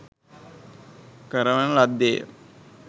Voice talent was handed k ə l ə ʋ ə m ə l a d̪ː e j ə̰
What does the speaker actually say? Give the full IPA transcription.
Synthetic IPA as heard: k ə ɾ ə ʋ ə n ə l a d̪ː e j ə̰